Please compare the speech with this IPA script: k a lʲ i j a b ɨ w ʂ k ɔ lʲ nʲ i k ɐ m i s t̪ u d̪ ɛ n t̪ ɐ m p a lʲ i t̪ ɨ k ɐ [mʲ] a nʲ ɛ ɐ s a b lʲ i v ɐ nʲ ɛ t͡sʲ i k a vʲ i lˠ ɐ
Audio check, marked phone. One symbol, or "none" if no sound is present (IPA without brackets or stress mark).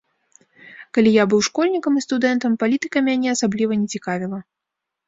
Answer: mʲ